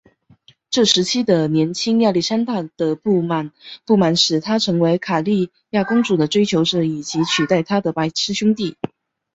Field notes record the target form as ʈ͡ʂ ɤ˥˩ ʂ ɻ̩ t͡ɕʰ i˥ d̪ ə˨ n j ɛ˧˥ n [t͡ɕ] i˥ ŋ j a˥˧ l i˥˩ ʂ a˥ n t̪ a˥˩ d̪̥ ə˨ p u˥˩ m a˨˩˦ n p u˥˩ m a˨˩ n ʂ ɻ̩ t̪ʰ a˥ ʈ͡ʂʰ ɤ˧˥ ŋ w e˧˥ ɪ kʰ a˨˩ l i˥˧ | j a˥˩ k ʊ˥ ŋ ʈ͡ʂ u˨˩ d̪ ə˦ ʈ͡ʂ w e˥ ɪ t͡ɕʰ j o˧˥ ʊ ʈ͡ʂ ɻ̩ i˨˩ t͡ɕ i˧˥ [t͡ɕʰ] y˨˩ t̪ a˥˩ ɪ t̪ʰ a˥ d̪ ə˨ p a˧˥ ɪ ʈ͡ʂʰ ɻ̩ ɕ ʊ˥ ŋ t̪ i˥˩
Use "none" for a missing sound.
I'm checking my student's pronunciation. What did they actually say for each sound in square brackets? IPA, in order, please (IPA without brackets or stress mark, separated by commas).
t͡ɕʰ, t͡ɕʰ